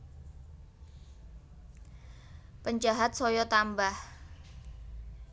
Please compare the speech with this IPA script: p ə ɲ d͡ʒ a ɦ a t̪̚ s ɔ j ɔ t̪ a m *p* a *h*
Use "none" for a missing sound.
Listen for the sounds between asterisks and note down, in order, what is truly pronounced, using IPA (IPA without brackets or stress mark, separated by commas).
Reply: b, h